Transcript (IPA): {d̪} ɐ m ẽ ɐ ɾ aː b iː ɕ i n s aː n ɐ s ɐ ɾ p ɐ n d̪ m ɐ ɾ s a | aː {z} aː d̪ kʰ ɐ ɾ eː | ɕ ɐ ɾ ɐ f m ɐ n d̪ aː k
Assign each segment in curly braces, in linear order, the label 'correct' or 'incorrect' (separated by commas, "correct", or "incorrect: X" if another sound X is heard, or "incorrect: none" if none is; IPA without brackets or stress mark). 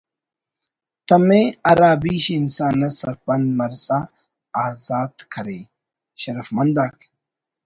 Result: incorrect: t̪, correct